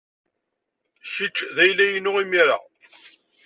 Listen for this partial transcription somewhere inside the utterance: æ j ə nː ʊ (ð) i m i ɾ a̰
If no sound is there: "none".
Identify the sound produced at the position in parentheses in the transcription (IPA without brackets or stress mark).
ʁ